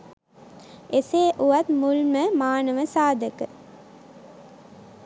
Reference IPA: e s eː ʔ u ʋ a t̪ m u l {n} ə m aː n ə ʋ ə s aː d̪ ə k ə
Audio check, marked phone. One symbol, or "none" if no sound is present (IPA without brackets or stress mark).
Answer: m